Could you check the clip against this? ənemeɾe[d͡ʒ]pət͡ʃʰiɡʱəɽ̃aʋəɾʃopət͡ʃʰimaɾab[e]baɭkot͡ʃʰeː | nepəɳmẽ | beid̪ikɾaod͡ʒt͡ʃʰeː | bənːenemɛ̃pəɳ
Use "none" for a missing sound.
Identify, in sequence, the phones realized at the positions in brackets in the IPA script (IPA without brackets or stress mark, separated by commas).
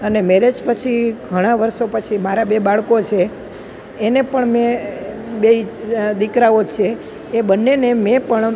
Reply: d͡ʒ, e